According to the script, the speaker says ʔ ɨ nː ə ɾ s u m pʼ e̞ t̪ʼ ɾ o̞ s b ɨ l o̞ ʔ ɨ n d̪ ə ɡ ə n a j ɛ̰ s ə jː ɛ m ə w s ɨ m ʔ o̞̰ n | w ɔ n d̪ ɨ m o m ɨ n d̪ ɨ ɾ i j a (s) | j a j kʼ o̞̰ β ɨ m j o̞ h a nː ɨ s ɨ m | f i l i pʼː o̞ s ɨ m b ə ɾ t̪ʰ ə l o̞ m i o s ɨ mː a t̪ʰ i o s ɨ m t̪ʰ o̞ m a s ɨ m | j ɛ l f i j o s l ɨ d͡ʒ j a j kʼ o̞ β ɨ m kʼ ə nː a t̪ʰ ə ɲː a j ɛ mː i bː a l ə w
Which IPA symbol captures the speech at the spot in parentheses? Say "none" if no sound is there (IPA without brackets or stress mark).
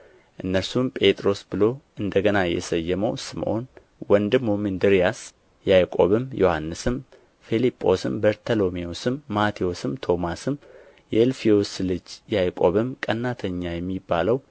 s